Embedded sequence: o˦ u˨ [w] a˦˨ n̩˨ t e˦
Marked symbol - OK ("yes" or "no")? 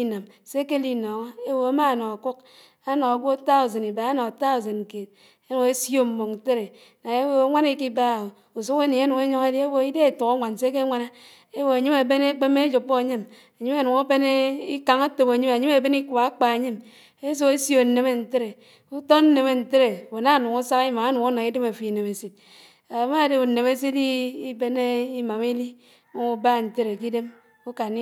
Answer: no